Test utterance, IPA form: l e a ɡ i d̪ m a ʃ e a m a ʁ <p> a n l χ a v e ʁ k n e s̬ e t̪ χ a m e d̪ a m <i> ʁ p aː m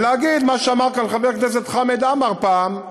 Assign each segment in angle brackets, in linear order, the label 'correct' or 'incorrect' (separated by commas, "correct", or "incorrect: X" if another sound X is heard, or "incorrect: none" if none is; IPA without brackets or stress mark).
incorrect: k, incorrect: a